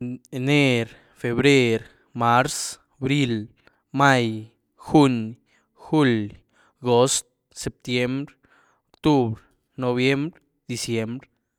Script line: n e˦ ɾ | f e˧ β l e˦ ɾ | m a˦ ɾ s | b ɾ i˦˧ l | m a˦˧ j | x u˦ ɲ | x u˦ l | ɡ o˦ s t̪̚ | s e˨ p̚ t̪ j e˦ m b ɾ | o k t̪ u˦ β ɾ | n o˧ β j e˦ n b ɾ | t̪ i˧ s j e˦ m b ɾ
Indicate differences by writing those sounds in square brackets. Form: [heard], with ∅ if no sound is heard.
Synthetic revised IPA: n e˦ ɾ | f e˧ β [ɾ] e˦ ɾ | m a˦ ɾ s | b ɾ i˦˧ l | m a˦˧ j | x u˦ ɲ | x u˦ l | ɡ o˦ s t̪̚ | s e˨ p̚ t̪ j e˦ m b ɾ | o k t̪ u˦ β ɾ | n o˧ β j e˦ [m] b ɾ | [d̪] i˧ s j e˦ m b ɾ